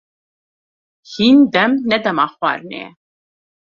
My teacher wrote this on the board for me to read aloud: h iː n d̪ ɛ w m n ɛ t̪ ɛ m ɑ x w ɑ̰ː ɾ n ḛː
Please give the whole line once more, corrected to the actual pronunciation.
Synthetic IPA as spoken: h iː n d̪ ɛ m n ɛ d̪ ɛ m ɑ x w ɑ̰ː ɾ n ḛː